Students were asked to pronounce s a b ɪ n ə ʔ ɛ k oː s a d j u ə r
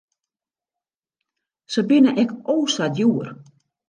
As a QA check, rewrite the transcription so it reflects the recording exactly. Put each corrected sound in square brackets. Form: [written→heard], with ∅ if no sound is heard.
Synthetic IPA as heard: s [a→ə] b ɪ n ə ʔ ɛ k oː s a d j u ə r

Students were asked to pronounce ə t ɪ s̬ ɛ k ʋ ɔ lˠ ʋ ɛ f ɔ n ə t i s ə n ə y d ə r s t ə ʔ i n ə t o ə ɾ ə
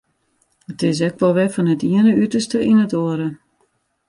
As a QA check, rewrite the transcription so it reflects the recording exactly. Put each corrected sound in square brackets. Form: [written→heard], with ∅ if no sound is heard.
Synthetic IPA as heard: ə t ɪ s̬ ɛ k ʋ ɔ lˠ ʋ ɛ f ɔ n ə t i [s→∅] ə n ə y [d→t] ə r s t ə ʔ i n ə t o ə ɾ ə

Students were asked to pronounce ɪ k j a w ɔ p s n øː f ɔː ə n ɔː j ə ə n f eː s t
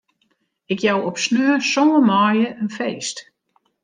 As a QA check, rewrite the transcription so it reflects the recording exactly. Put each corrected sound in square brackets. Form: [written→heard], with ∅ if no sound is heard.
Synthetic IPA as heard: ɪ k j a w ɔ p s n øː [f→s] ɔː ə [n→m] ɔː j ə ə n f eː s t

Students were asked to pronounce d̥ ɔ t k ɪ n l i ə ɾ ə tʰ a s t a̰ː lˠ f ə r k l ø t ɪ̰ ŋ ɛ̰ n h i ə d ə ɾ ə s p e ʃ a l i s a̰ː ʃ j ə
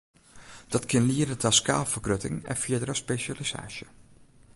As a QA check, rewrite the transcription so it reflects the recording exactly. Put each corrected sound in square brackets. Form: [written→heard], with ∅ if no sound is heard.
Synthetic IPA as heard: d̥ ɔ t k ɪ n l i ə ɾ ə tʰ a s [t→k] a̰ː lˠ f ə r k [l→r] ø t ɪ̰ ŋ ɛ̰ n [h→f] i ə d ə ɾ ə s p e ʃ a l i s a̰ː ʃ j ə

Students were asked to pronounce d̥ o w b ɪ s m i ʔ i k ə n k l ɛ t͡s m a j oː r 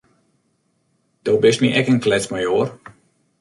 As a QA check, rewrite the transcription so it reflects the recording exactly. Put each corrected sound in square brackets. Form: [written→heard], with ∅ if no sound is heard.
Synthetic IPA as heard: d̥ o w b ɪ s m i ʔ [i→ɛ] k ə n k l ɛ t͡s m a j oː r

